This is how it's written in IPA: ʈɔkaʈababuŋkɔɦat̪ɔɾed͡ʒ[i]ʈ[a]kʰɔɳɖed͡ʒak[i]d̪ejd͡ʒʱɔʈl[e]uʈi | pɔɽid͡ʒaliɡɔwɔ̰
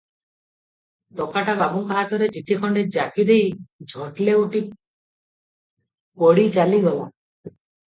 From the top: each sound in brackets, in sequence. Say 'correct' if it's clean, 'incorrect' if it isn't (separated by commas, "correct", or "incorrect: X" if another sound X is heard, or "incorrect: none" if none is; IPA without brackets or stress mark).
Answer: correct, incorrect: i, correct, correct